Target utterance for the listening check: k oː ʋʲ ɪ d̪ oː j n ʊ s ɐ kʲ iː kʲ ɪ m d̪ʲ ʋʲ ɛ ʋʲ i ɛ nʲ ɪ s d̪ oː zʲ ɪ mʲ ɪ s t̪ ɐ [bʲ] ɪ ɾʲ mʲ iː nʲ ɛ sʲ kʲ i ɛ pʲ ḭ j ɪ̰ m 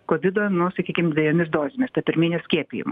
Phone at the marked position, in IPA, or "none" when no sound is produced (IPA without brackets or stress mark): pʲ